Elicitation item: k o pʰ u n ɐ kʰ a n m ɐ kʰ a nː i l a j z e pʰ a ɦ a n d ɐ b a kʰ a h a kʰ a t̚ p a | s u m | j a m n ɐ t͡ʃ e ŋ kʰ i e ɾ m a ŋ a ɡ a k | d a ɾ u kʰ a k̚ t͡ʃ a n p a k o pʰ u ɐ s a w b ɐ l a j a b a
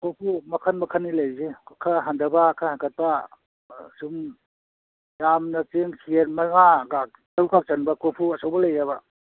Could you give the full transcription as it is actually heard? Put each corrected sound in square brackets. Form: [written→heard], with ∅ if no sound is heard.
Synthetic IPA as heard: k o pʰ u [n→m] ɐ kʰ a n m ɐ kʰ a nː i l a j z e [pʰ→kʰ] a ɦ a n d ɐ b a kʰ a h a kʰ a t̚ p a | s u m | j a m n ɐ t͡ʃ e ŋ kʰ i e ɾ m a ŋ a ɡ a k | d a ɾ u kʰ a k̚ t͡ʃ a n [p→b] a k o pʰ u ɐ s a w b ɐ l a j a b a